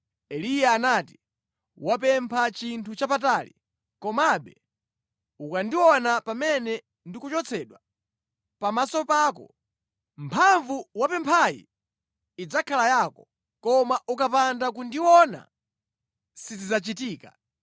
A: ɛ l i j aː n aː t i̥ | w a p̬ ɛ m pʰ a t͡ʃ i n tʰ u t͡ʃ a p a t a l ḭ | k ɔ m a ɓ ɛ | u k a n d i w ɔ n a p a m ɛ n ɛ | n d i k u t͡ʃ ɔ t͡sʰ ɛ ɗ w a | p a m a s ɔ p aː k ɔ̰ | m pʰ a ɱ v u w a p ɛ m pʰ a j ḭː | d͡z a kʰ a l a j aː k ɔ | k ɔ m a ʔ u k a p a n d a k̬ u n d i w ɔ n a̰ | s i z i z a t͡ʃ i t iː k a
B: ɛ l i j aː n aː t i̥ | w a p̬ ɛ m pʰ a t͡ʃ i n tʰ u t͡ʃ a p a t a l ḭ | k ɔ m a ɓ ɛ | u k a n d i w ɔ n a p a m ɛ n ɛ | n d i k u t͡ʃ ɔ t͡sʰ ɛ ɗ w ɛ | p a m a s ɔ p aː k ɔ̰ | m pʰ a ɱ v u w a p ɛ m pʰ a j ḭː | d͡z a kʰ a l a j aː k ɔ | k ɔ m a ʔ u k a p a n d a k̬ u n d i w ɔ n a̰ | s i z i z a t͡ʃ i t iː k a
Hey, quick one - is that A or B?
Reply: A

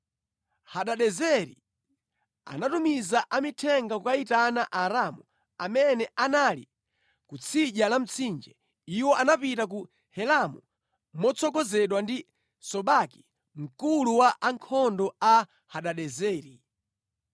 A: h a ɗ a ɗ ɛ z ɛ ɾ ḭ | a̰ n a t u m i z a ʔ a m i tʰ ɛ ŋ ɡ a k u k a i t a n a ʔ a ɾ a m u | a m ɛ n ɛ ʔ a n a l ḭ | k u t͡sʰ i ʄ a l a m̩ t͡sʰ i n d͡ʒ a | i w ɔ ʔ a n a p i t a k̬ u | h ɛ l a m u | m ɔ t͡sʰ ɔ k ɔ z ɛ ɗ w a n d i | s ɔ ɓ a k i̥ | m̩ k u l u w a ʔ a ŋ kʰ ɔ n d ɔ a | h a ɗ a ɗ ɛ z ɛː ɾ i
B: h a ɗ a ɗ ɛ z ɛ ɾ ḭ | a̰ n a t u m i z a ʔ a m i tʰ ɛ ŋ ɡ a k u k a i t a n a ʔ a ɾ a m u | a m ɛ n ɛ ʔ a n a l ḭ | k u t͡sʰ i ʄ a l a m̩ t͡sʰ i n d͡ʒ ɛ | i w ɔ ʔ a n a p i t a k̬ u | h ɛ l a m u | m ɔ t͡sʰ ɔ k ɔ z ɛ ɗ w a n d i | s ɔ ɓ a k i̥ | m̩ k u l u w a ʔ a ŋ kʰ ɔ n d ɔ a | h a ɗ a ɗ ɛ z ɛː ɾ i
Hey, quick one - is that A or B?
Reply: B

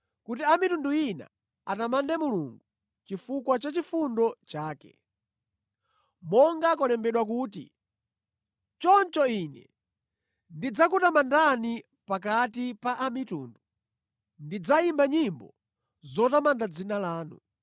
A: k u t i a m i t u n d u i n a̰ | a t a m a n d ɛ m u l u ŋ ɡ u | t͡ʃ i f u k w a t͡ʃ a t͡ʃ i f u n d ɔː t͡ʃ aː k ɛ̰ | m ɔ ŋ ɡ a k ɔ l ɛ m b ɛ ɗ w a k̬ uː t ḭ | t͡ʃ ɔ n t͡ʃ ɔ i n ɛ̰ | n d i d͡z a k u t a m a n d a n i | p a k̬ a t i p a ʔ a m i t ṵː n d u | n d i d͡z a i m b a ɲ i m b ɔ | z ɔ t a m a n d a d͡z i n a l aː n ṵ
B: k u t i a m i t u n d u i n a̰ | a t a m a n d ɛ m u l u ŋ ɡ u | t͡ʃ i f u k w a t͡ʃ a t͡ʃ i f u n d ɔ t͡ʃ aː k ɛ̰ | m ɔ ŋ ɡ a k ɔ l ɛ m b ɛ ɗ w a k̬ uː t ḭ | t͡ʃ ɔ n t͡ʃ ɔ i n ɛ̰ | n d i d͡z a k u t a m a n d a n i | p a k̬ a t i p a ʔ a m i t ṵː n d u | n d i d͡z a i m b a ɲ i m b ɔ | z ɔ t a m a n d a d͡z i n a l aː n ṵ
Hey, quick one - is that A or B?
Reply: B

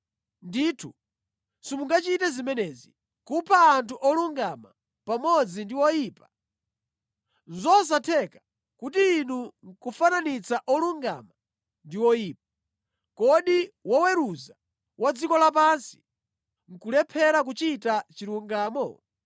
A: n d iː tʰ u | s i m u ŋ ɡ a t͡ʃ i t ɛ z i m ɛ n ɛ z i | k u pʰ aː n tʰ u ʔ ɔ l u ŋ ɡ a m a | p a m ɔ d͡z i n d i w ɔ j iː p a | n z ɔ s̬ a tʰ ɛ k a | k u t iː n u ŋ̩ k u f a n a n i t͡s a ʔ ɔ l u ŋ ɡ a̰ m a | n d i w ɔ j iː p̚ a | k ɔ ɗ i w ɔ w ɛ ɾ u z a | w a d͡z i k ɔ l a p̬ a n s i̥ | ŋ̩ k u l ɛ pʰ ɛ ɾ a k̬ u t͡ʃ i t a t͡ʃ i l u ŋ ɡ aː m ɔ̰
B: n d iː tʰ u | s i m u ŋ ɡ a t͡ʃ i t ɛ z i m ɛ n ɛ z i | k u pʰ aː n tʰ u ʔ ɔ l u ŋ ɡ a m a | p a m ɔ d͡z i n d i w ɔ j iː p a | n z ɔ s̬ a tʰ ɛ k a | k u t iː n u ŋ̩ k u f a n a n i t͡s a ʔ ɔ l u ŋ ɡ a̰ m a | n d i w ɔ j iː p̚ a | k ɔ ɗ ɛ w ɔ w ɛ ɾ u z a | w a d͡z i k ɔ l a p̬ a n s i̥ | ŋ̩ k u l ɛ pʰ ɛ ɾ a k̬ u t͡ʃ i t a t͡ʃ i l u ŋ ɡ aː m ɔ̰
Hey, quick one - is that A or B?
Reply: A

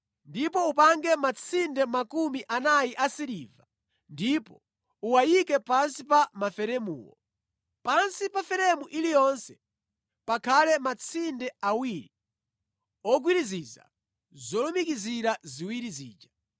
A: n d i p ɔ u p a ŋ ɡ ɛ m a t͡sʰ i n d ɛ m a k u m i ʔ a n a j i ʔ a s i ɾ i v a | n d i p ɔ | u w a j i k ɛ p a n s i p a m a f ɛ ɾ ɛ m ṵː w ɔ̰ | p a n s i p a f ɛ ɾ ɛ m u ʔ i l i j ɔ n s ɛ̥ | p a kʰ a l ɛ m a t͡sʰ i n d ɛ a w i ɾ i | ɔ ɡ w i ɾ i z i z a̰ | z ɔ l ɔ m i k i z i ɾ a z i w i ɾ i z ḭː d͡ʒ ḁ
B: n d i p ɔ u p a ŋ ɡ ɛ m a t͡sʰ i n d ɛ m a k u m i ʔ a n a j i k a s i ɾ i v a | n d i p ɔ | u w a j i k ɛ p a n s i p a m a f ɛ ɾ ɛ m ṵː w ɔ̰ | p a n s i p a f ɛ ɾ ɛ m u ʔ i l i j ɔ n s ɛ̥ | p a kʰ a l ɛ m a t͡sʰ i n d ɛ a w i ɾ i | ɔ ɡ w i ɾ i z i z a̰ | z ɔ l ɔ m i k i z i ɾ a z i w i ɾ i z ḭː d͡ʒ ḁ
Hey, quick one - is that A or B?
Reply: A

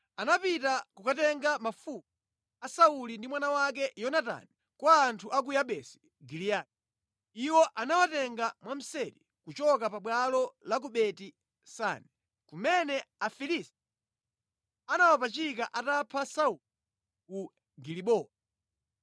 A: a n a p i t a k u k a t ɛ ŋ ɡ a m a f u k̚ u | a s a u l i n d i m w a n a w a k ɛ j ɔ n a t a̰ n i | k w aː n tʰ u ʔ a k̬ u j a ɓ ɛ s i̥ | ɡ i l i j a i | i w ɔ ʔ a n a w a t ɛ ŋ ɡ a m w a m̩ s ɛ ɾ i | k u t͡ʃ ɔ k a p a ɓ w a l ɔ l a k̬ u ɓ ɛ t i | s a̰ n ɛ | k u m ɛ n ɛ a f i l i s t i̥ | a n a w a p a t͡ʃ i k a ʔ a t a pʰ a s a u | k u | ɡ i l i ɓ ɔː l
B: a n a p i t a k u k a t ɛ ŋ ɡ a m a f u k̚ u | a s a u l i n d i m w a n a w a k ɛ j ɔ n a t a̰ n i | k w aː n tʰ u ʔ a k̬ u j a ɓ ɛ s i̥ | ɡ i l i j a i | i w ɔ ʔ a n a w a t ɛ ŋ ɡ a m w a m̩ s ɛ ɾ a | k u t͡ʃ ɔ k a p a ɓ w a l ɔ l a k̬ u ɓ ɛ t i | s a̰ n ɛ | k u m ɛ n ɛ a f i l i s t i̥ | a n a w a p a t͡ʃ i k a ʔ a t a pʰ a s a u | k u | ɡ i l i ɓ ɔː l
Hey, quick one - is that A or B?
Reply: A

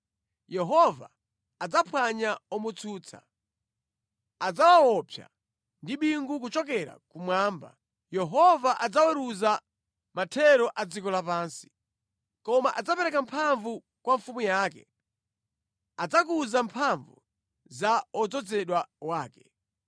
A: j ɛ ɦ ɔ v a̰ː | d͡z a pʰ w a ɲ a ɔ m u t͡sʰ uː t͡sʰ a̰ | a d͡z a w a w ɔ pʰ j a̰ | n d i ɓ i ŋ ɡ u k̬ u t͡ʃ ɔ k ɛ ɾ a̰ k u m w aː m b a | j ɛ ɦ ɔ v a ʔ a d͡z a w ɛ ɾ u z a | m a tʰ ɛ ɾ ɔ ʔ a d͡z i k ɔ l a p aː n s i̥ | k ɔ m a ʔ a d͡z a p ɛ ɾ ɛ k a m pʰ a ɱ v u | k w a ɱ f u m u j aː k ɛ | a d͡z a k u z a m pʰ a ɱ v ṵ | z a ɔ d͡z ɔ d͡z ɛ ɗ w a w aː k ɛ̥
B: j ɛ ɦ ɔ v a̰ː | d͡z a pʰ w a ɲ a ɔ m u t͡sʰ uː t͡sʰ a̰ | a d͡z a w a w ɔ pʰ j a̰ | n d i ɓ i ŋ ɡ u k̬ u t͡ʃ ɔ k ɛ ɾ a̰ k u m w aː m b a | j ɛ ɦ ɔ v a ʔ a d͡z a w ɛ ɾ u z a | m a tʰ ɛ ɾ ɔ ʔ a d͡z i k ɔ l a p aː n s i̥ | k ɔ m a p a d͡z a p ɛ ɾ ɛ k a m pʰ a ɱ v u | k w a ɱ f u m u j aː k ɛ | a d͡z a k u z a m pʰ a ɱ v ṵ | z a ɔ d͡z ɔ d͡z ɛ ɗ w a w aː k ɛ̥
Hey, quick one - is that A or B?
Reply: A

